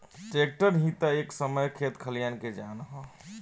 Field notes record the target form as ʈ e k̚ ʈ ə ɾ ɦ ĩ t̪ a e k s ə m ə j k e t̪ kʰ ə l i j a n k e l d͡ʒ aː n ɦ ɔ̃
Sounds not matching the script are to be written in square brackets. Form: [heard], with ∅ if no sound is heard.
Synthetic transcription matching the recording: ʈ e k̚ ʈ ə ɾ ɦ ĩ t̪ a e k s ə m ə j [kʰ] e t̪ kʰ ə l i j a n k e [∅] d͡ʒ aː n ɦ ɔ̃